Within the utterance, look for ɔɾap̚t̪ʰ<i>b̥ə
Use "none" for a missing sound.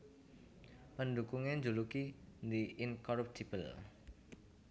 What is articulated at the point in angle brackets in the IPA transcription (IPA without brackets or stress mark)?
i